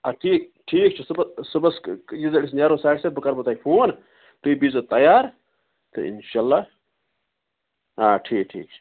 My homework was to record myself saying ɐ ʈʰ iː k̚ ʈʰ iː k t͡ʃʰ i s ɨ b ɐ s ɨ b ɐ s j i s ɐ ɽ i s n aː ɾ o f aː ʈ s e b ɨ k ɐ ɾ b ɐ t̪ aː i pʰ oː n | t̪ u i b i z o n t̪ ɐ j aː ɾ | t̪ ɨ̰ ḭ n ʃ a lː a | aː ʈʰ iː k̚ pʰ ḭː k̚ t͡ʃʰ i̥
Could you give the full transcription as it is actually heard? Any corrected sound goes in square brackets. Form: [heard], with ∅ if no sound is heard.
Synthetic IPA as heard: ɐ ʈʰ iː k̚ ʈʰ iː k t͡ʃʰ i s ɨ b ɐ s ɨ b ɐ s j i [z] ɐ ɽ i s n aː ɾ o [s] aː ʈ s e b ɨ k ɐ ɾ b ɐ t̪ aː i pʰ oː n | t̪ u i b i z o [∅] t̪ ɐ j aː ɾ | t̪ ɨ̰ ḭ n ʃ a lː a | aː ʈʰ iː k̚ [ʈʰ] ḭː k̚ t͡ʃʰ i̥